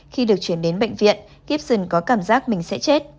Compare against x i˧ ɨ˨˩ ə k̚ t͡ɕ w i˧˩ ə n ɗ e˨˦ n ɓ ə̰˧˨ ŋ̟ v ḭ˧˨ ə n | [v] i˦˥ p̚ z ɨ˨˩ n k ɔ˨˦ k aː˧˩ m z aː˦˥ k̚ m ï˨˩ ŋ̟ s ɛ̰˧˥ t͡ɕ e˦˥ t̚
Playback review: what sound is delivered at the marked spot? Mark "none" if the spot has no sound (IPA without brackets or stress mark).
ɣ